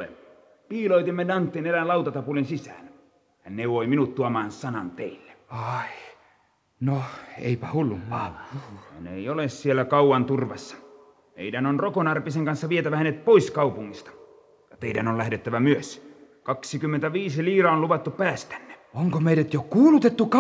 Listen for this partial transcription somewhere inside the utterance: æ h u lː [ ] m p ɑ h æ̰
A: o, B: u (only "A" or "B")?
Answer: B